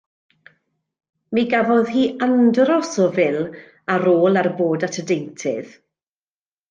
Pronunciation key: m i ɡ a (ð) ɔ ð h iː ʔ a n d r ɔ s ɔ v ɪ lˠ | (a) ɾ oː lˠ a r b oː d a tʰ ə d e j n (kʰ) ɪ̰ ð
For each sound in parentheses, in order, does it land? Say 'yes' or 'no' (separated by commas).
no, yes, no